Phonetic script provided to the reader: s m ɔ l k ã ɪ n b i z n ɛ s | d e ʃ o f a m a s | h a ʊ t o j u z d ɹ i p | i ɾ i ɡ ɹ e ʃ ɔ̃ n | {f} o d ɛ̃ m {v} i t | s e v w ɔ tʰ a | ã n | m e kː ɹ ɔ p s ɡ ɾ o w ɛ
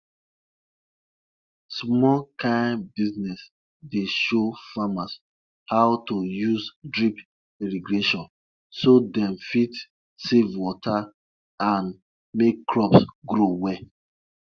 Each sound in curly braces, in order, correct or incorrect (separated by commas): incorrect, incorrect